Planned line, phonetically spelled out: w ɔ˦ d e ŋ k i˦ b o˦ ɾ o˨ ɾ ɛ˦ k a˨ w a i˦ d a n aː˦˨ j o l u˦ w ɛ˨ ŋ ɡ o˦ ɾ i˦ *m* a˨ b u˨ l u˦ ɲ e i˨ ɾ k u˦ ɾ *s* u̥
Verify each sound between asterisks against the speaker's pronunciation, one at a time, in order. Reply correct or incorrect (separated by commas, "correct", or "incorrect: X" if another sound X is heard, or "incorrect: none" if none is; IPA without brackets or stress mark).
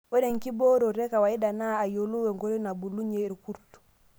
incorrect: n, incorrect: t